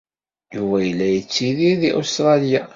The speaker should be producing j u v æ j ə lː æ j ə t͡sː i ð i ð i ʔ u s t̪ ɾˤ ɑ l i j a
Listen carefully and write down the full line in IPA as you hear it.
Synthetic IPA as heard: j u v æ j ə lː æ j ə t͡sː i ð i ð i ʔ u s t̪ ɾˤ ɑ l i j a